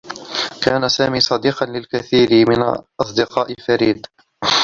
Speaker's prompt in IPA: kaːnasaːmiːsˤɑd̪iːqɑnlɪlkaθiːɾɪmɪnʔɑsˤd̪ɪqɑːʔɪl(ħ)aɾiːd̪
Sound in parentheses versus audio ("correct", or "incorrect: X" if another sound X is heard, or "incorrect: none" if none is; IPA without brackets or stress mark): incorrect: f